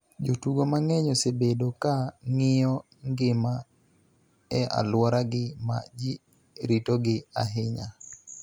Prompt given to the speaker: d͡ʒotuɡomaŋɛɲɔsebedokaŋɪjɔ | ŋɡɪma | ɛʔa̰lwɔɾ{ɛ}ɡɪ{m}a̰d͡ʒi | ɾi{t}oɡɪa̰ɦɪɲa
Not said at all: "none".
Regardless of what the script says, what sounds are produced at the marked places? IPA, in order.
a, m, t

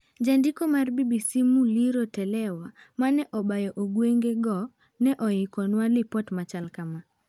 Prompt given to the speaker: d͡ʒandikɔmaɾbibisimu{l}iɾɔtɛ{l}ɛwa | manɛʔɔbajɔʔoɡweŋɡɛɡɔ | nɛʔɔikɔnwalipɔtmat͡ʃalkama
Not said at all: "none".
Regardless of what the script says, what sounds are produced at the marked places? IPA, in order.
l, l

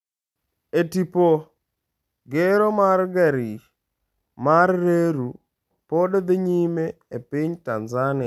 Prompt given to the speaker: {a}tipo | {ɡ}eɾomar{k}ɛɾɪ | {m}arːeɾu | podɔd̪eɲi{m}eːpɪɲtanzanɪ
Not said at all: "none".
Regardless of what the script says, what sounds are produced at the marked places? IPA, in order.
e, ɡ, ɡ, m, m

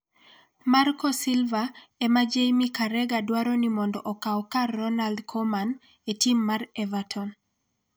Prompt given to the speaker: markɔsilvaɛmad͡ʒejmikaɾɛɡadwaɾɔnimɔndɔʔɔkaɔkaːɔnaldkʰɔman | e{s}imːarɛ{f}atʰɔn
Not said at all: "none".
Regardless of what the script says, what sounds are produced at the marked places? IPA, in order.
t, v

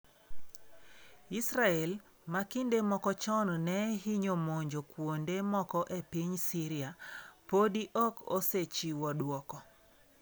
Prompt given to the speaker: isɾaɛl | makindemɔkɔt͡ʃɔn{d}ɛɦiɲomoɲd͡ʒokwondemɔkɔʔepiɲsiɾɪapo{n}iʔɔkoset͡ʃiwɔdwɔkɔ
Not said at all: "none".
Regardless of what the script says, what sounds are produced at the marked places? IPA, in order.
n, d

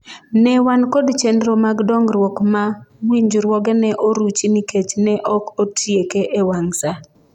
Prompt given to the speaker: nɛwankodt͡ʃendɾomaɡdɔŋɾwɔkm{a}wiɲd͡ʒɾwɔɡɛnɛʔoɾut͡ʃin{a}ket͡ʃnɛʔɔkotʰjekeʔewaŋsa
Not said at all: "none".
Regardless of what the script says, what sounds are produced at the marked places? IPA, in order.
a, i

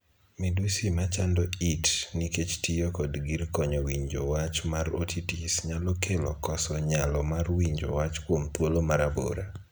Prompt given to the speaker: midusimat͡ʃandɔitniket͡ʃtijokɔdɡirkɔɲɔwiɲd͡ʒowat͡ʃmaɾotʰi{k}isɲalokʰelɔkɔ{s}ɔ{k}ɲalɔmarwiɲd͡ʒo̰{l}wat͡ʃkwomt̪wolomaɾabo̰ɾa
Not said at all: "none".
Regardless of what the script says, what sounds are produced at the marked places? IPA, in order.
t, s, none, none

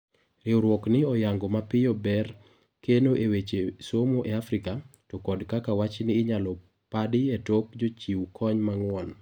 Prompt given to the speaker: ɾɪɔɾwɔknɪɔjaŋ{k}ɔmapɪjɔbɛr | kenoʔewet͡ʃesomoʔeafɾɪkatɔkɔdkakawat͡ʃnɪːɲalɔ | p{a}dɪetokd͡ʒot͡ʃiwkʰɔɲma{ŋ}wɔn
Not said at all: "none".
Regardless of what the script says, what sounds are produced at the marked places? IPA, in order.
ɡ, a, ŋ

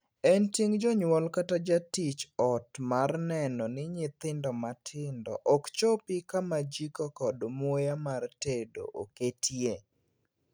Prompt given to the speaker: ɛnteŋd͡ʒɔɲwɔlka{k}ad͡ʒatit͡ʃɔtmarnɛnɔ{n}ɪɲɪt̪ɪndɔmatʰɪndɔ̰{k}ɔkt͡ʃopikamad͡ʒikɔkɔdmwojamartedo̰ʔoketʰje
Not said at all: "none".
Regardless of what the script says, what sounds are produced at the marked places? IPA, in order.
t, n, ʔ

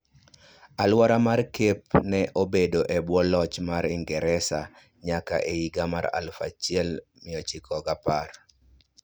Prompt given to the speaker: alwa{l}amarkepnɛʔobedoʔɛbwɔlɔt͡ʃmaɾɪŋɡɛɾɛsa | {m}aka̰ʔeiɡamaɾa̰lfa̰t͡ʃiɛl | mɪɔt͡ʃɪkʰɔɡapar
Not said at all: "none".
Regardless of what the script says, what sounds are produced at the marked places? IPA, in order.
ɾ, ɲ

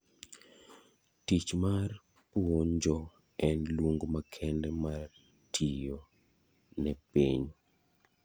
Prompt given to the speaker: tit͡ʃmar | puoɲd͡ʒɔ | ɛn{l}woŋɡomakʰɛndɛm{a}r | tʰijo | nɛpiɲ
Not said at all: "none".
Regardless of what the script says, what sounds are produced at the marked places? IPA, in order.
l, a

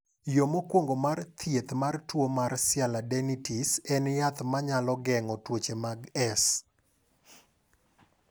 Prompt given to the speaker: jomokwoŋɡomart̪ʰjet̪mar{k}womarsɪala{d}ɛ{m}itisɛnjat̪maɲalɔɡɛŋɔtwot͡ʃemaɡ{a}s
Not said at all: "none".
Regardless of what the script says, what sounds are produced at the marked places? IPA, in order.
t, d, n, ɛ

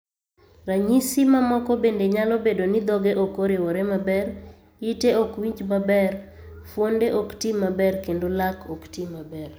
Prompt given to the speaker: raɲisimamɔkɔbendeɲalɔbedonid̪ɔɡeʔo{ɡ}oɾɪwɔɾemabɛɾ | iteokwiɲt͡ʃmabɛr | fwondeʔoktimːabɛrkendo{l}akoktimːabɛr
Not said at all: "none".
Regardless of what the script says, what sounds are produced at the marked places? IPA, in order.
k, l

